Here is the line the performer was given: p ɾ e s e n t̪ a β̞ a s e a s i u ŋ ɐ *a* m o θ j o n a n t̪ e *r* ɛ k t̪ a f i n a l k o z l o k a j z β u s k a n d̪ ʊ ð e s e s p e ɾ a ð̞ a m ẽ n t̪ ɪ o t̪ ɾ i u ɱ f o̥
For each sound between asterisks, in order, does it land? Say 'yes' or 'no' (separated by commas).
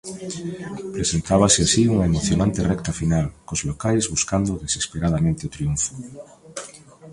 no, yes